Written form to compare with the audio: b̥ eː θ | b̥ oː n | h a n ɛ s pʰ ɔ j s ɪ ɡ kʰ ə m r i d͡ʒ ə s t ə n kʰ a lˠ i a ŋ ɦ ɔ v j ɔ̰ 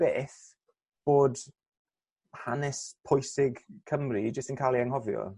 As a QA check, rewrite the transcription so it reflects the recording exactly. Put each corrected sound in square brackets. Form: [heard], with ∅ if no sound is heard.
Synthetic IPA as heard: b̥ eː θ | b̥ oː [d] | h a n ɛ s pʰ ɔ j s ɪ ɡ kʰ ə m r i d͡ʒ ə s t ə n kʰ a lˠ i a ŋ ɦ ɔ v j ɔ̰